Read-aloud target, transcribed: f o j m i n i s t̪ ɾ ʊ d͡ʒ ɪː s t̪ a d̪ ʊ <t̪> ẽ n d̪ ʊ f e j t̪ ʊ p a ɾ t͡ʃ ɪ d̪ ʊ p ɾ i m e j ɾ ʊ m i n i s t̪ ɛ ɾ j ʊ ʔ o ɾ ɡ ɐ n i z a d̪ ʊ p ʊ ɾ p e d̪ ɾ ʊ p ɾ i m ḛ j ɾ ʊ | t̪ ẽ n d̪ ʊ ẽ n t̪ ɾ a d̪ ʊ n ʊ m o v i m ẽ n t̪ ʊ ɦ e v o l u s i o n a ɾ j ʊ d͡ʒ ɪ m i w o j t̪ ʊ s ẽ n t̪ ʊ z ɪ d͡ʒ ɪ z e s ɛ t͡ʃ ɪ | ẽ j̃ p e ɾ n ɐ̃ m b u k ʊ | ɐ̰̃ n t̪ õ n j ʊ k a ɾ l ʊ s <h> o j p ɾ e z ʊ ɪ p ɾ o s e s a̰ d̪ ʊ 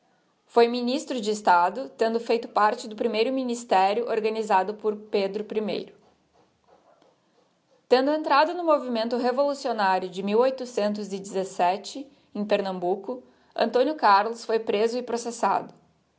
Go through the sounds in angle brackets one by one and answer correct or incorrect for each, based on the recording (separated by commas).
correct, incorrect